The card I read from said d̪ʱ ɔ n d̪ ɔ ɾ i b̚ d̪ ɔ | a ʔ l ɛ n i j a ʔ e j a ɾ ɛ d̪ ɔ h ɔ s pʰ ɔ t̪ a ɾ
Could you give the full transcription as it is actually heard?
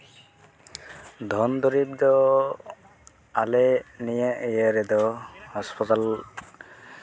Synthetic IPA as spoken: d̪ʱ ɔ n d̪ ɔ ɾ i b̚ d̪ ɔ | a l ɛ n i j a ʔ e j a ɾ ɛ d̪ ɔ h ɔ s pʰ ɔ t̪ a l